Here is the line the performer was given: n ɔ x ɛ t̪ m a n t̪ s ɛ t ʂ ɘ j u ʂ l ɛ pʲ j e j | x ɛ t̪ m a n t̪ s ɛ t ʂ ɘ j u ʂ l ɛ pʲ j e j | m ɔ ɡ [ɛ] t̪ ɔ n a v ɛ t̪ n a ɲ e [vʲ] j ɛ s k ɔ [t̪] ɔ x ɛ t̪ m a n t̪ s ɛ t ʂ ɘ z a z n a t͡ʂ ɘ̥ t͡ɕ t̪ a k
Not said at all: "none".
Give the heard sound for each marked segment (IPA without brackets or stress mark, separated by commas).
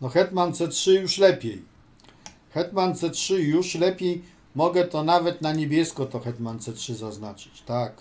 ɛ, bʲ, t̪